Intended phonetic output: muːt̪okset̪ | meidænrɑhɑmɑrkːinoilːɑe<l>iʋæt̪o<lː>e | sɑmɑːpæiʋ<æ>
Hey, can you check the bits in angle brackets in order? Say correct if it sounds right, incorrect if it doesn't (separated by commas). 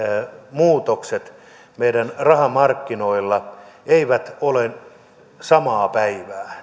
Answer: incorrect, incorrect, incorrect